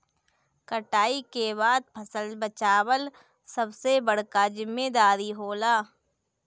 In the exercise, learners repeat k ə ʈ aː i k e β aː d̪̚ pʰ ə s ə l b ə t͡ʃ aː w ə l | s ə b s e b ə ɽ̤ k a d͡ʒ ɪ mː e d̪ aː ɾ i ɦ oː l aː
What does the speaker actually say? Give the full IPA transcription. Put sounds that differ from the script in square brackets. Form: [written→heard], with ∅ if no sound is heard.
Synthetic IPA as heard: k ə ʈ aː i k e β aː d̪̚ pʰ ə s ə l b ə t͡ʃ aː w ə l | s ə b s e b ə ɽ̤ k a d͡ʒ ɪ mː e d̪ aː ɾ i ɦ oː l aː

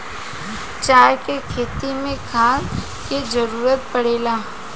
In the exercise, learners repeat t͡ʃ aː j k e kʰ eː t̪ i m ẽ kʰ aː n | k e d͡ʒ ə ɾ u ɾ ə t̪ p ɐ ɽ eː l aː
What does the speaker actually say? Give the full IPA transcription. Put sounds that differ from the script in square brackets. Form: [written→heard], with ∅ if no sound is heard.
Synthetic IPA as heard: t͡ʃ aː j k e kʰ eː t̪ i m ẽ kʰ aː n | k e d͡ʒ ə ɾ [u→uː] ɾ ə t̪ p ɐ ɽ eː l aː

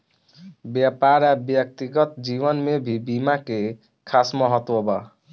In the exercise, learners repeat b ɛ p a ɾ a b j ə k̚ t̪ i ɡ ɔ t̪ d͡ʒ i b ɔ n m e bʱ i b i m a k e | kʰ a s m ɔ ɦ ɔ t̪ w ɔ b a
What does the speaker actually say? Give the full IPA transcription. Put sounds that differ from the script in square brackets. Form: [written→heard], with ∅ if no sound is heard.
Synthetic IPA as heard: b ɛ p a ɾ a b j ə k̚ t̪ i ɡ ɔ t̪ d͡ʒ i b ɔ n m e bʱ i b i m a k e | kʰ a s m ɔ ɦ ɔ t̪ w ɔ b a

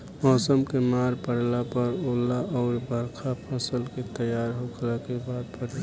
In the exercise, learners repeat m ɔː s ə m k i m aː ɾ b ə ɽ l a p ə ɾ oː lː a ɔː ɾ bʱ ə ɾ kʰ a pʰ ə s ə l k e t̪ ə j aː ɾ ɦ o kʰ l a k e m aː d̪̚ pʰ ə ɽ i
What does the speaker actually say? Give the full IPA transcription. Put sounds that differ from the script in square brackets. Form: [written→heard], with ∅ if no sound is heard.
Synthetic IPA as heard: m ɔː s ə m k [i→e] m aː ɾ [b→p] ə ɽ l a p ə ɾ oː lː a ɔː ɾ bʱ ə ɾ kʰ a pʰ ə s ə l k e t̪ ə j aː ɾ ɦ o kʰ l a k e [m→b] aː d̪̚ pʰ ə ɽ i

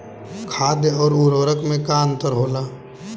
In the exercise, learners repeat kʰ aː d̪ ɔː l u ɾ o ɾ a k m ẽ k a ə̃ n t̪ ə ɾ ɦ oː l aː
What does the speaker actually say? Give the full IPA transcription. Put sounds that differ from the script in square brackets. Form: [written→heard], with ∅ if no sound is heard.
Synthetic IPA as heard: kʰ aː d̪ ɔː [l→ɾ] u ɾ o ɾ [a→ə] k m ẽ k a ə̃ n t̪ ə ɾ ɦ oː l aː

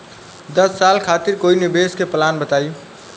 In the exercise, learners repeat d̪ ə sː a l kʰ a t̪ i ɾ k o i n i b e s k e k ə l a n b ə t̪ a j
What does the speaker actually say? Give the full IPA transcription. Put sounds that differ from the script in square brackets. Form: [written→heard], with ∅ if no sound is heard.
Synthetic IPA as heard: d̪ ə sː a l kʰ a t̪ i ɾ k o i n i b e s k e [k→p] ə l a n b ə t̪ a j

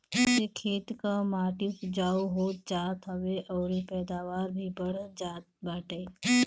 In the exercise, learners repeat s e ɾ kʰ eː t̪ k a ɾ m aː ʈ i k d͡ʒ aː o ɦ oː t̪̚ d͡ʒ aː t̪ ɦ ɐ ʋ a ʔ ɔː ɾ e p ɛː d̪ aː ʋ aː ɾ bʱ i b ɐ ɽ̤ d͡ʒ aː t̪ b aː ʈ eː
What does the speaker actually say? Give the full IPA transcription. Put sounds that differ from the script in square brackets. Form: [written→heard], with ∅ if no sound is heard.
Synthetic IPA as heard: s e [ɾ→∅] kʰ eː t̪ k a [ɾ→∅] m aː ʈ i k d͡ʒ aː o ɦ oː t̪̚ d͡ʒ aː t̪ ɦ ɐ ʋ [a→e] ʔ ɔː ɾ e p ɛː d̪ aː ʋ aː ɾ bʱ i b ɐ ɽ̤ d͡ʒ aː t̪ b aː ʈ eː

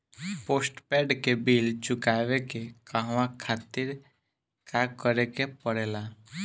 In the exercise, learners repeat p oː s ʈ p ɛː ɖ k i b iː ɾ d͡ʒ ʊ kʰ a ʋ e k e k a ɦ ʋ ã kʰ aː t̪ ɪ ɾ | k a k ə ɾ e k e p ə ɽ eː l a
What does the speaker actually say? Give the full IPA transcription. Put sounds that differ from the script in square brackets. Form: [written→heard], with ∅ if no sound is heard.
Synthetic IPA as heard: p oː s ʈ p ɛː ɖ k [i→e] b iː [ɾ→l] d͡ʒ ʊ [kʰ→k] a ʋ e k e k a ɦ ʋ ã kʰ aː t̪ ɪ ɾ | k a k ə ɾ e k e p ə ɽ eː l a

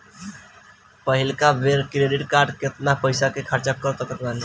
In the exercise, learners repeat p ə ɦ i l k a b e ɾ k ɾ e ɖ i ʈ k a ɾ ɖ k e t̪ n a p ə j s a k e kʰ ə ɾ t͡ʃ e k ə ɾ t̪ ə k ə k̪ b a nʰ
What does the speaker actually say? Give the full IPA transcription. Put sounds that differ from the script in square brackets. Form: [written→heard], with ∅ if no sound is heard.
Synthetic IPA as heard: p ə ɦ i l k a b e ɾ k ɾ e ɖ i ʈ k a ɾ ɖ k e t̪ n a p ə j s a k e kʰ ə ɾ t͡ʃ [e→a] k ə ɾ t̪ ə k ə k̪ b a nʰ

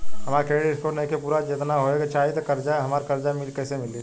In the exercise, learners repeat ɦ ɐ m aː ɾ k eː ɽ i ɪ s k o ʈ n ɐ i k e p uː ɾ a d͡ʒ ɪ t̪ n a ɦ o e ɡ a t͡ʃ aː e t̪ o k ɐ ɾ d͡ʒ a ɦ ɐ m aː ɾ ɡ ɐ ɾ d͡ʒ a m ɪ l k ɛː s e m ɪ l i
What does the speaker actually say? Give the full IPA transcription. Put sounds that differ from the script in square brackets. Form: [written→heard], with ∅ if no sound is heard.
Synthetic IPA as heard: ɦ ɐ m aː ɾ k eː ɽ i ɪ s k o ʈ n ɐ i k e p uː ɾ a d͡ʒ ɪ t̪ n a ɦ o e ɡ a t͡ʃ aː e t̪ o k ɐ ɾ d͡ʒ a ɦ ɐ m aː ɾ [ɡ→k] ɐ ɾ d͡ʒ a m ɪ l k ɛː s e m ɪ l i

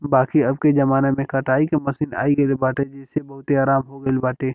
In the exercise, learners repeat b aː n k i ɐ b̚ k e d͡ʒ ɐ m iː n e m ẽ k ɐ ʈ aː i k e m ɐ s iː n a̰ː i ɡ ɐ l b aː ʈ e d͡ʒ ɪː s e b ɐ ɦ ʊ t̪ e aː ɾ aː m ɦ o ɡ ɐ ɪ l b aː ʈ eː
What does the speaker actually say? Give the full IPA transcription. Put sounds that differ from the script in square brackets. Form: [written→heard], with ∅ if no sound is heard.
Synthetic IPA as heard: b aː [n→∅] k i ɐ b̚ k e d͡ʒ ɐ m [iː→aː] n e m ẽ k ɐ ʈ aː i k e m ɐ s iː n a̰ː i ɡ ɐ l b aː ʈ e d͡ʒ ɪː s e b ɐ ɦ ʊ t̪ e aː ɾ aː m ɦ o ɡ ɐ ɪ l b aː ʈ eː

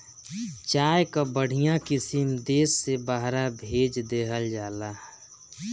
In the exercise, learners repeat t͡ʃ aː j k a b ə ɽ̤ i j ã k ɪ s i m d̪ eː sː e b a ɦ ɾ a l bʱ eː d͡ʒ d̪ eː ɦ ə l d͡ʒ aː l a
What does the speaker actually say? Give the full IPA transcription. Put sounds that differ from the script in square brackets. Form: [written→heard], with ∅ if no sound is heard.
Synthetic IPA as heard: t͡ʃ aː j k a b ə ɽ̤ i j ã k ɪ s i m d̪ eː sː e b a ɦ ɾ a [l→∅] bʱ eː d͡ʒ d̪ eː ɦ ə l d͡ʒ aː l a

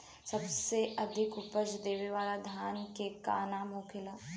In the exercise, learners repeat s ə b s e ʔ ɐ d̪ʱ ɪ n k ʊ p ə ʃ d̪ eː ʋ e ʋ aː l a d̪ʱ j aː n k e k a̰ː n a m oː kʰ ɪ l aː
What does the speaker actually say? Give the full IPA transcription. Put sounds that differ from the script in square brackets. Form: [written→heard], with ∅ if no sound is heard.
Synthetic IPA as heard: s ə b s e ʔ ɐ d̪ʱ ɪ [n→∅] k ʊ p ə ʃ d̪ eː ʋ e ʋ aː l a d̪ʱ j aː n k e k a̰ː n a m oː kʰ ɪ l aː

